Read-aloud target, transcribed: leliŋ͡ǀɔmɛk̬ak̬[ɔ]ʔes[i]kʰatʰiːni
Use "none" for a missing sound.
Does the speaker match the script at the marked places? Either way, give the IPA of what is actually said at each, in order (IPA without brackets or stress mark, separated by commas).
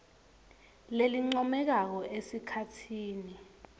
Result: ɔ, i